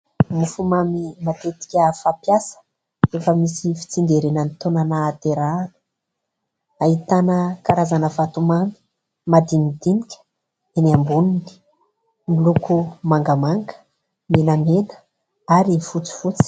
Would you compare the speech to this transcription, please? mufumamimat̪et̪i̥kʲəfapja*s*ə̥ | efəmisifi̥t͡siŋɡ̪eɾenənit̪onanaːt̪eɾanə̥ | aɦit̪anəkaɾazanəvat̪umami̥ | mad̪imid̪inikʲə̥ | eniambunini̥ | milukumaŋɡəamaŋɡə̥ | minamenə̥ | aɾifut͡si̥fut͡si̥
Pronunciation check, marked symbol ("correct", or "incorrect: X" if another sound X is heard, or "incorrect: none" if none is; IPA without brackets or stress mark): correct